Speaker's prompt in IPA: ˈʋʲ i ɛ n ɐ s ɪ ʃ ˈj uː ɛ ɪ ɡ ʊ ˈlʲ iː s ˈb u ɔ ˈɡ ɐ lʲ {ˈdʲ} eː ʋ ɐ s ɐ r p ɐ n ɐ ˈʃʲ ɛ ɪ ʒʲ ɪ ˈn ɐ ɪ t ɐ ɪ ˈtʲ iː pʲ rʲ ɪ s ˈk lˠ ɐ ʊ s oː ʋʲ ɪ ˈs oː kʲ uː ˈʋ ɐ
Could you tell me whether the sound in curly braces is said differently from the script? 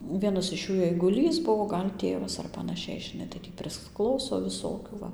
yes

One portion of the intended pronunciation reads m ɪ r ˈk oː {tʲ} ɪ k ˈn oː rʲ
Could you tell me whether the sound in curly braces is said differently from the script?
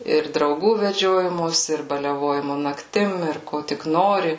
no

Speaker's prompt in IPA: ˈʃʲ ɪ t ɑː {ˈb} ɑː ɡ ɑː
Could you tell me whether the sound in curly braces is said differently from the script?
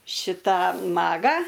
yes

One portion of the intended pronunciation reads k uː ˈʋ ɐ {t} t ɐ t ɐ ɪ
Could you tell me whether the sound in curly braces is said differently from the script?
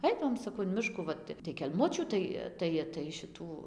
no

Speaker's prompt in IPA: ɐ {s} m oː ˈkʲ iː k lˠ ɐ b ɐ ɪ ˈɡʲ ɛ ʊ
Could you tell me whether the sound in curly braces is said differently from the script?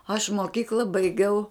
yes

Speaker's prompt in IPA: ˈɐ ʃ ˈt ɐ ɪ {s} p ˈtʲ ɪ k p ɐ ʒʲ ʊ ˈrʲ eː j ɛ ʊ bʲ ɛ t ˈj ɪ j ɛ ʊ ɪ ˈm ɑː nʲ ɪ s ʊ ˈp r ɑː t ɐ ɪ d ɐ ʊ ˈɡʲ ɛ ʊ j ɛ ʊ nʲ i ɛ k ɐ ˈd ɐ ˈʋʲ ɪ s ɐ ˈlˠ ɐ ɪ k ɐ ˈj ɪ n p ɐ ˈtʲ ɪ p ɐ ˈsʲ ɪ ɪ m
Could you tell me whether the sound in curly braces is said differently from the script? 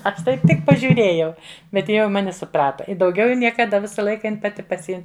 yes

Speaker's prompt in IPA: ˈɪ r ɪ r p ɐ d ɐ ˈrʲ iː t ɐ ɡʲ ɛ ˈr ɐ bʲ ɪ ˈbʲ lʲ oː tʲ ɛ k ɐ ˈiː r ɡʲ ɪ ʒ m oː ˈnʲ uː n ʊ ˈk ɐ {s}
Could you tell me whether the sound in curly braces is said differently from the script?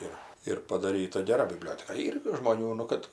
yes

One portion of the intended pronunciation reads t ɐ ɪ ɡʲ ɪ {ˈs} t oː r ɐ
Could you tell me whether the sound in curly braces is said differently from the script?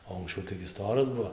no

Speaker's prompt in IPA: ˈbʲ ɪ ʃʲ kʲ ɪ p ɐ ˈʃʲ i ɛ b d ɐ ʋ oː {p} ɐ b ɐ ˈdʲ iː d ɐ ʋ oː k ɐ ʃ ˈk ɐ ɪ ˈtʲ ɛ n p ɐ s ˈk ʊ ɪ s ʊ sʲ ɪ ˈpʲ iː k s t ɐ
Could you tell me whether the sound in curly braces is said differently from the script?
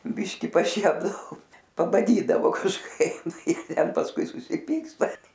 no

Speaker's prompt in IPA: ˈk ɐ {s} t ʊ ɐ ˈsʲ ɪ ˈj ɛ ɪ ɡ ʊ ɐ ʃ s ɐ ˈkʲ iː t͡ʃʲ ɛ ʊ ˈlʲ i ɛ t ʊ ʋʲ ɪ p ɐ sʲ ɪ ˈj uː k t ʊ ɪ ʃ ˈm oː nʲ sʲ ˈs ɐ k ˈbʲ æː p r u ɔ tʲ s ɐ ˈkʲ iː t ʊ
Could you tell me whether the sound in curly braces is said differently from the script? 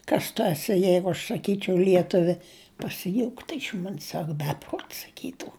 no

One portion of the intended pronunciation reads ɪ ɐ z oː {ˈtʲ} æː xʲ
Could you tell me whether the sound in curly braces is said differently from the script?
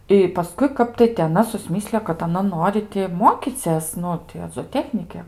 no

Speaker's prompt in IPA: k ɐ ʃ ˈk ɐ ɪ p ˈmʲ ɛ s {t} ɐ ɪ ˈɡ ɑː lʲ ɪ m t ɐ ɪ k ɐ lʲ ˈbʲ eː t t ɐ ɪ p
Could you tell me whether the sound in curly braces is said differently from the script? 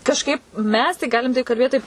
no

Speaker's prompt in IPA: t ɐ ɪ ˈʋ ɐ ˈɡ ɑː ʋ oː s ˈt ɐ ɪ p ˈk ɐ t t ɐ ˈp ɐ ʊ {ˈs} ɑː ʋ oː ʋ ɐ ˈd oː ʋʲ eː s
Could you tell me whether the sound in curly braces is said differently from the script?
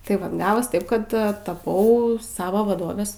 no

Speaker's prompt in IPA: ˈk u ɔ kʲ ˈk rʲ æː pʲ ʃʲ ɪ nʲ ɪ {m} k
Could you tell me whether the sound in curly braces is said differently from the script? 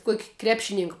yes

